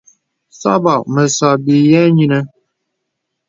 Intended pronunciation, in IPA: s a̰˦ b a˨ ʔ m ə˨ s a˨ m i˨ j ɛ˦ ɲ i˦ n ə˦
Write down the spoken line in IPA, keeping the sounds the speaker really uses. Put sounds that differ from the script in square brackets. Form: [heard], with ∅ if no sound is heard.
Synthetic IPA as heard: s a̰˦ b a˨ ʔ m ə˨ s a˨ [b] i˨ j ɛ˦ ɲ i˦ n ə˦